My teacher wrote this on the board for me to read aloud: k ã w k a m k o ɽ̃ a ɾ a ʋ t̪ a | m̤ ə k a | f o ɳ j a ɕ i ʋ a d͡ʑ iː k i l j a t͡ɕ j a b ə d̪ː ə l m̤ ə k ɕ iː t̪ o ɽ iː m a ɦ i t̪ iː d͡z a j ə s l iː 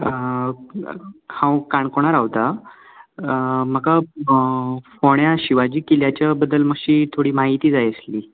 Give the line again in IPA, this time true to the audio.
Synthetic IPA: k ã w k a ɳ k o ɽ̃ a ɾ a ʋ t̪ a | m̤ ə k a | f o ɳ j a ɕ i ʋ a d͡ʑ iː k i l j a t͡ɕ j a b ə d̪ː ə l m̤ ə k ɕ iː t̪ʰ o ɽ iː m a ɦ i t̪ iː d͡z a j ə s l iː